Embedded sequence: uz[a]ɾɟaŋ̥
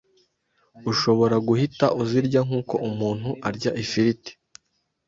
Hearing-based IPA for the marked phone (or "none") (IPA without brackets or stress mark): i